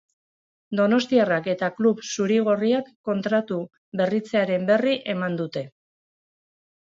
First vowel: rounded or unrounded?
rounded